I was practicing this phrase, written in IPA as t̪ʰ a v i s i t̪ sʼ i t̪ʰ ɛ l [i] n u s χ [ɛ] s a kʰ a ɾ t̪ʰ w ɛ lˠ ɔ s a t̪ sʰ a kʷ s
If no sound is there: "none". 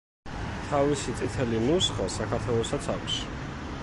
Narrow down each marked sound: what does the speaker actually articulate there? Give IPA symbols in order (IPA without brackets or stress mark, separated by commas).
i, a